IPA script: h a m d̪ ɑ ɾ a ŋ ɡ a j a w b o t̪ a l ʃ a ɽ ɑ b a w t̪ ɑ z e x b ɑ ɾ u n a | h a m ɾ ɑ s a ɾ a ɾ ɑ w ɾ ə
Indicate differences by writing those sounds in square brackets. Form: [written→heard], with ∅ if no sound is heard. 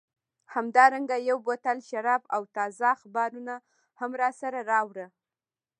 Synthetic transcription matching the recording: h a m d̪ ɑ ɾ a ŋ ɡ a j a w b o t̪ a l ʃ a [ɽ→ɾ] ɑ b a w t̪ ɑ z [e→a] x b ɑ ɾ u n a | h a m ɾ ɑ s a ɾ a ɾ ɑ w ɾ ə